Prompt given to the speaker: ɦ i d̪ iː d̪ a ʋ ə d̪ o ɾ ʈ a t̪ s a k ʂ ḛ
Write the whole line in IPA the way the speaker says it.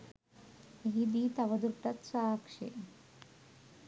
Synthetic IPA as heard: ɦ i d̪ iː t̪ a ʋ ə d̪ u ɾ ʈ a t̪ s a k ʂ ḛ

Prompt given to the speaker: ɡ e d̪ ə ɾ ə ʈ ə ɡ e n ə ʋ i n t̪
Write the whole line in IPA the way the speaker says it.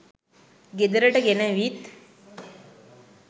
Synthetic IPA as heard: ɡ e d̪ ə ɾ ə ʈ ə ɡ e n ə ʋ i t̪

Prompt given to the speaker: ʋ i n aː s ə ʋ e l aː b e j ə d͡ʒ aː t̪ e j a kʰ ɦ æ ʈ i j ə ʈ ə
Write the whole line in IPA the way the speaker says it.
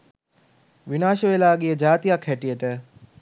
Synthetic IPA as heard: ʋ i n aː ʃ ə ʋ e l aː ɡ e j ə d͡ʒ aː t̪ i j a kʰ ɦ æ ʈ i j ə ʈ ə

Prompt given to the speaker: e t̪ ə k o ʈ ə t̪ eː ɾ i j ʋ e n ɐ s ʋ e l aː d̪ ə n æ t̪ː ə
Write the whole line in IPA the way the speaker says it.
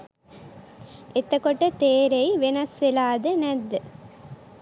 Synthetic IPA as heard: e t̪ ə k o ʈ ə t̪ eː ɾ e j ʋ e n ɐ s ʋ e l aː d̪ ə n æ d̪ː ə

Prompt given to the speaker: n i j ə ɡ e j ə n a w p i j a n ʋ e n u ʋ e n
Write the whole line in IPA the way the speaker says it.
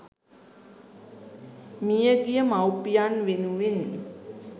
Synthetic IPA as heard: m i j ə ɡ i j ə m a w p i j a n ʋ e n u ʋ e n

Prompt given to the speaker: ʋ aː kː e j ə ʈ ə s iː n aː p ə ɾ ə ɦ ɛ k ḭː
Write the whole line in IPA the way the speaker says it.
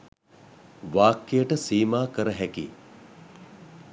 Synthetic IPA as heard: ʋ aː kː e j ə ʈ ə s iː m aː k ə ɾ ə ɦ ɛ k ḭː

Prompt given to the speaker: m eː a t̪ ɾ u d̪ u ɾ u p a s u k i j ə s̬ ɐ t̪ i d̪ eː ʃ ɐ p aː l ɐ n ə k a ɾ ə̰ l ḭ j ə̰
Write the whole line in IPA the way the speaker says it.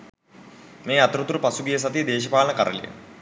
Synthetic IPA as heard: m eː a t̪ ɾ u t̪ u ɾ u p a s u ɡ i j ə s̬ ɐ t̪ i d̪ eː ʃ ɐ p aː l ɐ n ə k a ɾ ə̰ l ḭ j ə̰

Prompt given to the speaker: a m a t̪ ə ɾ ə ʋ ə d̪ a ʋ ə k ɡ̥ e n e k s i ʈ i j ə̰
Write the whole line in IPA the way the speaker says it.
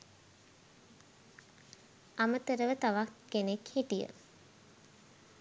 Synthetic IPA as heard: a m ə t̪ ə ɾ ə ʋ ə t̪ a ʋ a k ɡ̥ e n e k h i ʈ i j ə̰

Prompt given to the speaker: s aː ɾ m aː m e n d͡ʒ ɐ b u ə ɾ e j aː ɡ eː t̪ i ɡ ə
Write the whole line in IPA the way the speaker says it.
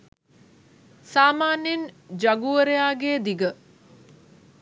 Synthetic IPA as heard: s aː m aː n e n d͡ʒ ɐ ɡ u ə ɾ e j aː ɡ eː d̪ i ɡ ə

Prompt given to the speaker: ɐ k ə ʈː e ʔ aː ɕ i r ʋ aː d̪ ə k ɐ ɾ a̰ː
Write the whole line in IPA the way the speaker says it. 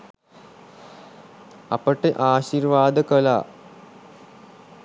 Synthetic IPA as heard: ɐ p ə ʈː e ʔ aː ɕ i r ʋ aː d̪ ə k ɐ l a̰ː

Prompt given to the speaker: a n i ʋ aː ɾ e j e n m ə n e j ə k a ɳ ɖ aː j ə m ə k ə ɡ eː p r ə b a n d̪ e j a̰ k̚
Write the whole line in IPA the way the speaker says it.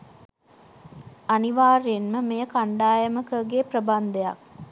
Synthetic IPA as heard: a n i ʋ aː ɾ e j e n m ə m e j ə k a ɳ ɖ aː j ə m ə k ə ɡ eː p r ə b a n d̪ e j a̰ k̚

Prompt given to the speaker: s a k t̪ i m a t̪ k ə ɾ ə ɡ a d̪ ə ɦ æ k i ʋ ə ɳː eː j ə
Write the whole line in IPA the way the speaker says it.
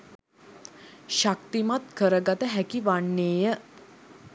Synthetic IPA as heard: ʃ a k t̪ i m a t̪ k ə ɾ ə ɡ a t̪ ə ɦ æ k i ʋ a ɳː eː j ə

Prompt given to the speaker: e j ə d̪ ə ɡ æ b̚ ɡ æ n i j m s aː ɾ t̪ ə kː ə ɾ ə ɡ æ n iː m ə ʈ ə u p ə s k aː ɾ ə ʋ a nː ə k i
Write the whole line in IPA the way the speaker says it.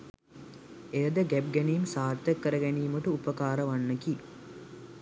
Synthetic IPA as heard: e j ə d̪ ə ɡ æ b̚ ɡ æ n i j m s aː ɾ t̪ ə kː ə ɾ ə ɡ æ n iː m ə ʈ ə u p ə k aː ɾ ə ʋ a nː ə k i

